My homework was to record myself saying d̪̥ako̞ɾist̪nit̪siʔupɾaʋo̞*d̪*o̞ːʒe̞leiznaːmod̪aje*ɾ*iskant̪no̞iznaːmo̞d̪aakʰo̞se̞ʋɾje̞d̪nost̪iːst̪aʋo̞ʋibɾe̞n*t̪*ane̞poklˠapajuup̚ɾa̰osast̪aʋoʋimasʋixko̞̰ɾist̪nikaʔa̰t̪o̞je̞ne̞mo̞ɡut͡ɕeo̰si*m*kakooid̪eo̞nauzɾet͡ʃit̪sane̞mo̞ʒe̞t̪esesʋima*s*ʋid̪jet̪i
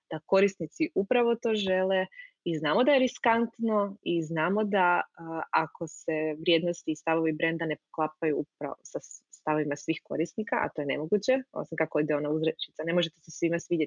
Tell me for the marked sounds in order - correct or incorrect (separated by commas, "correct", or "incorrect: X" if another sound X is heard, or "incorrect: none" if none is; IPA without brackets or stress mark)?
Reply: incorrect: t̪, correct, incorrect: d̪, correct, correct